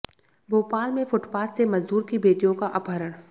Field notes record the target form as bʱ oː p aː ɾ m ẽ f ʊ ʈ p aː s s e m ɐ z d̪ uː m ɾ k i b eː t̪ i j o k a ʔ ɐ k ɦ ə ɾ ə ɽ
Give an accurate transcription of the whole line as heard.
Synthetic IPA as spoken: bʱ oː p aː l m ẽ f ʊ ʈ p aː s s e m ɐ z d̪ uː ɾ k i b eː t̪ i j õ k a ʔ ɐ p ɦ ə ɾ ə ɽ